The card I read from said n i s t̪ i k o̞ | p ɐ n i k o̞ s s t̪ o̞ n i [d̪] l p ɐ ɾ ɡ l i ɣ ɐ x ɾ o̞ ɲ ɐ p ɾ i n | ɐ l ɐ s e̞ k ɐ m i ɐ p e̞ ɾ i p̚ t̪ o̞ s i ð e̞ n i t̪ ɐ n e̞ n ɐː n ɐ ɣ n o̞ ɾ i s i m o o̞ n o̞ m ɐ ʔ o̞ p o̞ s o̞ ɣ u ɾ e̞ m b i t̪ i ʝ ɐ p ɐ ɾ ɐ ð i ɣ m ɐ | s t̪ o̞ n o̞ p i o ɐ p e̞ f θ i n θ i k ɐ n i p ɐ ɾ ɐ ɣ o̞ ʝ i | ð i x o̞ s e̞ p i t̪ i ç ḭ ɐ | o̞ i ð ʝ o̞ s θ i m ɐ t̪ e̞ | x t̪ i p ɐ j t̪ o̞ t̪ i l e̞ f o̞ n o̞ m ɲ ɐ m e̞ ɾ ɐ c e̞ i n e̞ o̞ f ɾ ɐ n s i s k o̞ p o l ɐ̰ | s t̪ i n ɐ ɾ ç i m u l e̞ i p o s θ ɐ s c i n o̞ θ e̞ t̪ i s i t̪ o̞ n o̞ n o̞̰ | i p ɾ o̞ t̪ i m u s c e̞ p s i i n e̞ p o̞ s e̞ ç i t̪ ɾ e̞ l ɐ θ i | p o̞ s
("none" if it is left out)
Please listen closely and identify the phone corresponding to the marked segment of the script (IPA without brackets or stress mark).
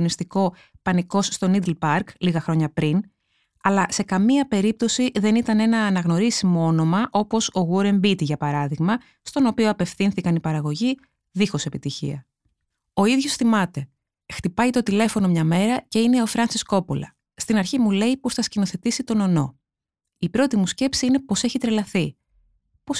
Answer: d̪